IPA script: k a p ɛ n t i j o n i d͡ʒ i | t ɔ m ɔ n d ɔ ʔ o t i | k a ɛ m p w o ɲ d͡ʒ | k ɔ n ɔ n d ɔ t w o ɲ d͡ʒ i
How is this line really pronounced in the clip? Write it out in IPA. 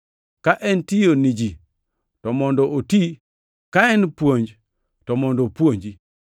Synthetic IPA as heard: k a ʔ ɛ n t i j o n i d͡ʒ i | t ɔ m ɔ n d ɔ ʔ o t i | k a ɛ n p w o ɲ d͡ʒ | t ɔ m ɔ n d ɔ p w o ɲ d͡ʒ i